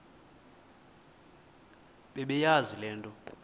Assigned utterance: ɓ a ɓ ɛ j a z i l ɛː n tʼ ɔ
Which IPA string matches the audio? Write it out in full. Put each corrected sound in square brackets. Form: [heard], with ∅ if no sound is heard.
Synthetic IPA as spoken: ɓ [ɛ] ɓ ɛ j a z i l ɛː n tʼ ɔ